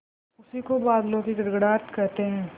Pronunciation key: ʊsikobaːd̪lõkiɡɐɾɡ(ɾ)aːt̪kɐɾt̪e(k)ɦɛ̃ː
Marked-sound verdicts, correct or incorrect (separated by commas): incorrect, incorrect